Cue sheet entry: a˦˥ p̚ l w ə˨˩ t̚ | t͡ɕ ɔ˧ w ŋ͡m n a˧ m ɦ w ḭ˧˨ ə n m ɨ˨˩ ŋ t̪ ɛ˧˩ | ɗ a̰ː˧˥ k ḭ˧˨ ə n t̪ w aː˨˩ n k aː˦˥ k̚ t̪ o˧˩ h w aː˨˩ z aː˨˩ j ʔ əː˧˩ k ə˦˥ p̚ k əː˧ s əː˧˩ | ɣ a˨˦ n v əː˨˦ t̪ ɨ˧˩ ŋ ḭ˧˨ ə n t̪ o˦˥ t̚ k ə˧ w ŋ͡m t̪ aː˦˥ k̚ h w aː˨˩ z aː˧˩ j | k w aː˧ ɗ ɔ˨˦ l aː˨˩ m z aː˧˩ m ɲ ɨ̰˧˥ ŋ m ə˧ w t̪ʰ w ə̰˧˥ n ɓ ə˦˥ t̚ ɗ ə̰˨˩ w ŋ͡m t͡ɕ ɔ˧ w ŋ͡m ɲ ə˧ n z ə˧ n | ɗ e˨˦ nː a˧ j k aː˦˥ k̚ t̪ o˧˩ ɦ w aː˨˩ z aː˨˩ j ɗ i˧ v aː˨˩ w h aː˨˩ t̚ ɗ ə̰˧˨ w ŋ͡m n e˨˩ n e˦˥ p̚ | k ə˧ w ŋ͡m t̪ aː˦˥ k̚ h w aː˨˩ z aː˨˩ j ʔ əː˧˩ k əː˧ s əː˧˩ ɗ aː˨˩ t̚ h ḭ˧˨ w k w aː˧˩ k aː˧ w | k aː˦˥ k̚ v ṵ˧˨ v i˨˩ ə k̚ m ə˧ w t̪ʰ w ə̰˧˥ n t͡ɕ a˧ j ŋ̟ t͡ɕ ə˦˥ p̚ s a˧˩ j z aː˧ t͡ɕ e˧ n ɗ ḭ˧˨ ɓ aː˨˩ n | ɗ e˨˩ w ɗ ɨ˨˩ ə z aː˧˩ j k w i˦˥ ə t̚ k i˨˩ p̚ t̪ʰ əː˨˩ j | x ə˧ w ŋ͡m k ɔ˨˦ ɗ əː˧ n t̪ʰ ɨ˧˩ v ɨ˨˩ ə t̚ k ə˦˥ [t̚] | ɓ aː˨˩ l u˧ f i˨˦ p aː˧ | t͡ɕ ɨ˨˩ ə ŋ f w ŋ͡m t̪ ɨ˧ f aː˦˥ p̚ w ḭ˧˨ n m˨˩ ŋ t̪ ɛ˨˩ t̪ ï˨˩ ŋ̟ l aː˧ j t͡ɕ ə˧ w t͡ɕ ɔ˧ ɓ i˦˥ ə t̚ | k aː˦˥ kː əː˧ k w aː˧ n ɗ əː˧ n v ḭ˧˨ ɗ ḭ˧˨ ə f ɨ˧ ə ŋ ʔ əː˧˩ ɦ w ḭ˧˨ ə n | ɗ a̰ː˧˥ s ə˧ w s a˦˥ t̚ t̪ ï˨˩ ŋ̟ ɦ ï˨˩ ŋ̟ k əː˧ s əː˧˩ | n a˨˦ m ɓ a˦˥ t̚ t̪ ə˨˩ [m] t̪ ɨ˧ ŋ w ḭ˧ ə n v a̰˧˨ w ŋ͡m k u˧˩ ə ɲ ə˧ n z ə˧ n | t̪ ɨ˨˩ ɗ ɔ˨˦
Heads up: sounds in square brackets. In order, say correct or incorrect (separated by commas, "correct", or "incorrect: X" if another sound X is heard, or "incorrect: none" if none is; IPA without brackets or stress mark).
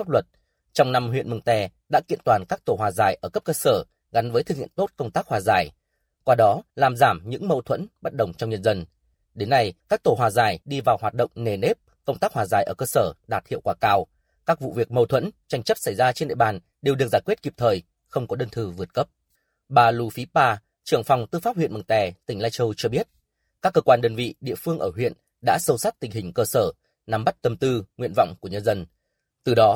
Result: incorrect: p̚, correct